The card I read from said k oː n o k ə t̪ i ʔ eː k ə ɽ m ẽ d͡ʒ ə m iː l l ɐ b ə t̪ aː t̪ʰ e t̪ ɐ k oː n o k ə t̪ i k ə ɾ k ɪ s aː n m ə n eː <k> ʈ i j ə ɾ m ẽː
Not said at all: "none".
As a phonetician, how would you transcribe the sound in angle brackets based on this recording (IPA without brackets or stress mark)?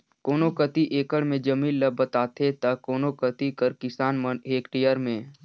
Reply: k